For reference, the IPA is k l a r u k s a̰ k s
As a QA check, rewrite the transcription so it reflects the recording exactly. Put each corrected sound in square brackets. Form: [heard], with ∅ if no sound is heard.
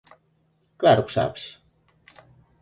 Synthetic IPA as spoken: k l a [ɾ] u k s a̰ [p] s

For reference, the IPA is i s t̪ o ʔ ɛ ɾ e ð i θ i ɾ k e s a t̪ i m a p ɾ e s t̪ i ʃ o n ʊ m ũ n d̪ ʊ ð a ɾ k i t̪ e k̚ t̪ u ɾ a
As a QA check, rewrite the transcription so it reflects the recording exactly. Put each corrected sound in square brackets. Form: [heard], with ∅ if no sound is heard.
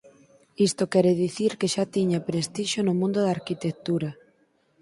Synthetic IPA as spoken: i s t̪ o [k] ɛ ɾ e ð i θ i ɾ k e [ʃ] a t̪ i [ɲ] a p ɾ e s t̪ i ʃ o n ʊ m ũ n d̪ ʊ ð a ɾ k i t̪ e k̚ t̪ u ɾ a

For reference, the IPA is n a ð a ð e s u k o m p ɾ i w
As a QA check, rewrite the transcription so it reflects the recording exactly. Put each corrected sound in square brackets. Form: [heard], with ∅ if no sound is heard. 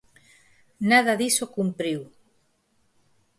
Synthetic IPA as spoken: n a ð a ð [i] s [o] k [u] m p ɾ i w

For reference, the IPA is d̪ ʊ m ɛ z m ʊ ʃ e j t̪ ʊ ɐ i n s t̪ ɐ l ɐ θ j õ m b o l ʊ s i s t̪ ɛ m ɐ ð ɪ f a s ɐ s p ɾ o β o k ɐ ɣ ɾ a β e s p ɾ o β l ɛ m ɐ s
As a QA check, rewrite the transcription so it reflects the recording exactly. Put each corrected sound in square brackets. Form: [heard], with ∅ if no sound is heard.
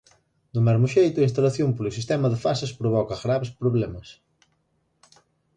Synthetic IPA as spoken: d̪ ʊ m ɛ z m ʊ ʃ e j t̪ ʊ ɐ i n s t̪ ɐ l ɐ θ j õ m [p] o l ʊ s i s t̪ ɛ m ɐ ð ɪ f a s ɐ s p ɾ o β [ɔ] k ɐ ɣ ɾ a β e s p ɾ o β l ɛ m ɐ s

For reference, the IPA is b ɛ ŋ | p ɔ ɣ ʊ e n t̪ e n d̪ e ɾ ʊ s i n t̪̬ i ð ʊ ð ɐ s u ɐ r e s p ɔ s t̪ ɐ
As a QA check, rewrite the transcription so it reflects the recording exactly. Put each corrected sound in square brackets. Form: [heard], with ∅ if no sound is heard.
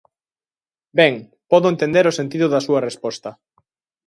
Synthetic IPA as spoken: b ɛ ŋ | p ɔ [ð] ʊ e n t̪ e n d̪ e ɾ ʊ s [e] n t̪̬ i ð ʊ ð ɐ s u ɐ r e s p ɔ s t̪ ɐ

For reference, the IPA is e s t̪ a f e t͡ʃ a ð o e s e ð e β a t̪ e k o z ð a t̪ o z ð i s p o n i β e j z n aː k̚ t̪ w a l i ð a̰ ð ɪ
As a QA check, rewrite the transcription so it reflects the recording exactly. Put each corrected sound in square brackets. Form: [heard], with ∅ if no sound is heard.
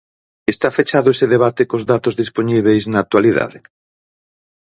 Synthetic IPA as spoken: e s t̪ a f e t͡ʃ a ð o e s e ð e β a t̪ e k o z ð a t̪ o z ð i s p o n i β e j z n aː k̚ t̪ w a l i ð a̰ ð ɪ

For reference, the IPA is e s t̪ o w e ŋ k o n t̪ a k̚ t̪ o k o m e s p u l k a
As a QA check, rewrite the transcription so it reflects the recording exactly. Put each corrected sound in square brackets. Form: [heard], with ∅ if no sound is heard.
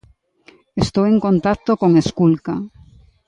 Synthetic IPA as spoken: e s t̪ o w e ŋ k o n t̪ a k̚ t̪ o k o [ŋ] e s [k] u l k a

